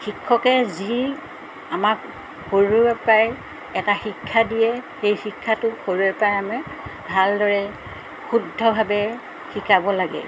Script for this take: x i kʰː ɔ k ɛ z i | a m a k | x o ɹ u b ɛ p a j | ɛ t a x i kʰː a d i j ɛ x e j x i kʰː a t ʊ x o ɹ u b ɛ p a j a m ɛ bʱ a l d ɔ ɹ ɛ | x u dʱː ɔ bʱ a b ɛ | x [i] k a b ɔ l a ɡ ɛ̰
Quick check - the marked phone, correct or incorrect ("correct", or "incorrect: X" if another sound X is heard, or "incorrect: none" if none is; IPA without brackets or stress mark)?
correct